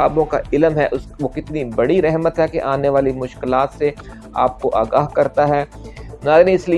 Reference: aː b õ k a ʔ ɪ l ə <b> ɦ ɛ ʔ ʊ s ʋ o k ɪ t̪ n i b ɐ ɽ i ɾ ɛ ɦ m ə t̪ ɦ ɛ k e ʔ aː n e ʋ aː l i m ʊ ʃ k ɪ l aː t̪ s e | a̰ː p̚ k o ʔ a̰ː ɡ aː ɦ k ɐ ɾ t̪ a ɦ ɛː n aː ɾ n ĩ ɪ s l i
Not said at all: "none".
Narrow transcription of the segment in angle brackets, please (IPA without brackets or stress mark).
m